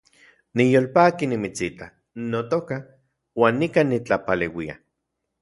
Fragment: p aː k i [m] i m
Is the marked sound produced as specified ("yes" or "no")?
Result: no